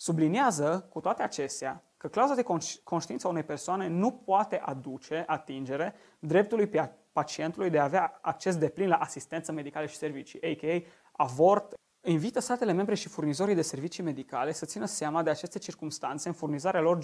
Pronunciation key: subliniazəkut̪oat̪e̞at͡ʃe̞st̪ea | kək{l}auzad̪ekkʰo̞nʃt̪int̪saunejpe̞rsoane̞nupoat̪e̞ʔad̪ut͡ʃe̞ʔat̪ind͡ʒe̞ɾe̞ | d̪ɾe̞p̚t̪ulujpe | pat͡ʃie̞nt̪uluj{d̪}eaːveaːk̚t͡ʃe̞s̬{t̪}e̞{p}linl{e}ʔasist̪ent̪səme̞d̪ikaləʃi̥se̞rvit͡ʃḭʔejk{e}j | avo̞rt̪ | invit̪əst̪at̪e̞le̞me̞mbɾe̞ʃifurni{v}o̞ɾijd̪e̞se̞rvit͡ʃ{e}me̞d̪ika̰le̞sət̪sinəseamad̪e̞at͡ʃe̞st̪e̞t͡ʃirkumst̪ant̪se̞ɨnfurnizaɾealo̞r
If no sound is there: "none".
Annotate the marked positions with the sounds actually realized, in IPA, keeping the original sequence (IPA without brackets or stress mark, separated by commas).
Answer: l, d̪, d̪, p, a, e, z, i